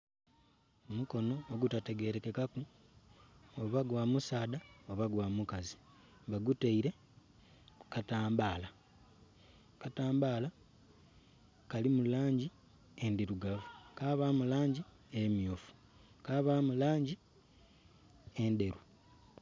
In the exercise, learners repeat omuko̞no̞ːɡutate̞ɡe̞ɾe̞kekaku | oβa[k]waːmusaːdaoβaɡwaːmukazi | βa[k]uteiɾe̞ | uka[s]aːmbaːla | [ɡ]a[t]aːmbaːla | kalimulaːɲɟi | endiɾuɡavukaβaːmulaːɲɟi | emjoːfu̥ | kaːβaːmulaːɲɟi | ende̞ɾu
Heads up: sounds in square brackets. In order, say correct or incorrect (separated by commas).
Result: incorrect, incorrect, incorrect, incorrect, correct